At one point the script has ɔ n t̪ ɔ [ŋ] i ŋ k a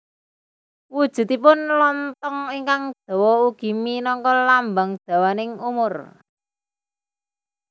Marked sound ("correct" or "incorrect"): correct